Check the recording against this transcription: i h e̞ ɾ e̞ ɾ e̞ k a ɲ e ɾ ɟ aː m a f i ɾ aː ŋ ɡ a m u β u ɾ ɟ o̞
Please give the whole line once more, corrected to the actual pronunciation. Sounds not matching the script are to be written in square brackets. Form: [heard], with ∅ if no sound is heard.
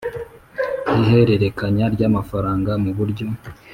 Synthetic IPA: i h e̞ ɾ e̞ ɾ e̞ k a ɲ [a] ɾ ɟ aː m a f [a] ɾ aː ŋ ɡ a m u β u ɾ ɟ o̞